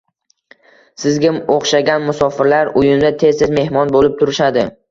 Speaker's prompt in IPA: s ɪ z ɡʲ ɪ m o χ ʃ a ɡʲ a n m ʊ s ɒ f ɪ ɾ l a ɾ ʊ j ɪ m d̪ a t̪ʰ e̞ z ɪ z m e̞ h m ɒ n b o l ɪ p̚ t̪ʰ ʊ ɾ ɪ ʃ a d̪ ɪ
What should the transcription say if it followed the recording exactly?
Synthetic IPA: s ɪ z ɡʲ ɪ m o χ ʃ a ɡʲ a n m ʊ s ɒ f ɪ ɾ l a ɾ ʊ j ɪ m d̪ a t̪ʰ e̞ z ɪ z m e̞ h m ɒ n b o l ɪ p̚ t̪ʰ ʊ ɾ ɪ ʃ a d̪ ɪ